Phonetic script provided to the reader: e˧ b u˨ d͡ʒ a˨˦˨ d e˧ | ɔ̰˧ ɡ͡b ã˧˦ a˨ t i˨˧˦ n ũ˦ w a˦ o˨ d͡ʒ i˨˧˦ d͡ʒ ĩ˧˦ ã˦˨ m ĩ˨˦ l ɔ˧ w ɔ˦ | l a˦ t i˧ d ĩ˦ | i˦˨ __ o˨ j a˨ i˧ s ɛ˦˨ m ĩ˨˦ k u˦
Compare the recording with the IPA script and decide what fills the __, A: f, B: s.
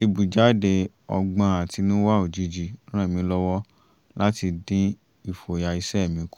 A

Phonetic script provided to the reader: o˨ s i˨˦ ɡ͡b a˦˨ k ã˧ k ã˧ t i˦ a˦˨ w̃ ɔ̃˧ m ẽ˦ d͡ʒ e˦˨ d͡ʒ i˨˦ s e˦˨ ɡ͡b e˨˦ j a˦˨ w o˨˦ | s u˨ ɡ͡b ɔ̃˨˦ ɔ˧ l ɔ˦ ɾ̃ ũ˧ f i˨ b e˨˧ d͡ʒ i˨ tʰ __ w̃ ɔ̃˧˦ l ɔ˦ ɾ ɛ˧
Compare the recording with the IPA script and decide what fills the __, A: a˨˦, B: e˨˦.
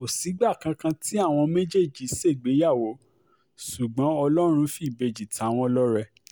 A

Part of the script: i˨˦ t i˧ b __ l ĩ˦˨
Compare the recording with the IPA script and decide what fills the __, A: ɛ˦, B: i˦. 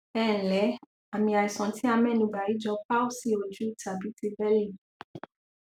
A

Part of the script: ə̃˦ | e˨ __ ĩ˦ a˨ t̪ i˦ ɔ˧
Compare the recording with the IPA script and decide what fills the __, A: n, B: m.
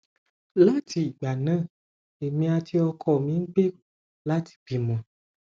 B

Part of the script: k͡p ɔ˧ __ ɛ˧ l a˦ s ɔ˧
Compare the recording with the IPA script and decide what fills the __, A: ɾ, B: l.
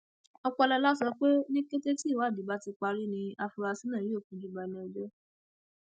B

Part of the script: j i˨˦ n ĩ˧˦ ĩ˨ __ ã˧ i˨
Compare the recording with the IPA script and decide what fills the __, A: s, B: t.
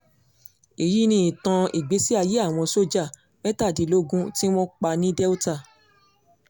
B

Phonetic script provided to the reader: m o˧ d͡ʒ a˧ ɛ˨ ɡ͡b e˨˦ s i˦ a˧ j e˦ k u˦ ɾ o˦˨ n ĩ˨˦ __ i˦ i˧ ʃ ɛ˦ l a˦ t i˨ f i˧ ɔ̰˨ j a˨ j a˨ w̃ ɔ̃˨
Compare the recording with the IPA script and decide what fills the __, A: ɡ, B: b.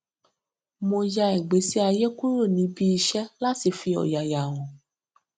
B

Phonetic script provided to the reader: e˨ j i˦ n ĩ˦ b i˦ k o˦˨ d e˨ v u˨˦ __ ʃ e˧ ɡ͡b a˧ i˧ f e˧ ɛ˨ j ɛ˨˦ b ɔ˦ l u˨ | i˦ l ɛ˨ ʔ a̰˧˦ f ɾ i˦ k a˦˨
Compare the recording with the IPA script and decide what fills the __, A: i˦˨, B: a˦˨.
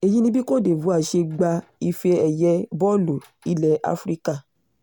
B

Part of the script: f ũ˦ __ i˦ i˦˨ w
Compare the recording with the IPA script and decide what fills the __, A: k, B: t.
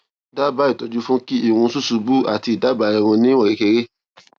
A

